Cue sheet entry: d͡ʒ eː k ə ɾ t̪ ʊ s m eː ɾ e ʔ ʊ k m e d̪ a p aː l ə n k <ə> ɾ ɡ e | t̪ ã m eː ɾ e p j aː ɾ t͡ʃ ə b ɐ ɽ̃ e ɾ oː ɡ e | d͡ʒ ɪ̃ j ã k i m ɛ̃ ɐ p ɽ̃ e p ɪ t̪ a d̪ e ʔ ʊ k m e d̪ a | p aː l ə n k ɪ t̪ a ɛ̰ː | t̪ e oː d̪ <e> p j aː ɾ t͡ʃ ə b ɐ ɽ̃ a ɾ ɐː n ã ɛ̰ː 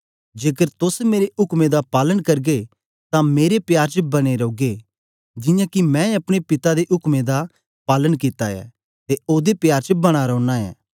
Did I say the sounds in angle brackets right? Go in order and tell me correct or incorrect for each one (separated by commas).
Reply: incorrect, correct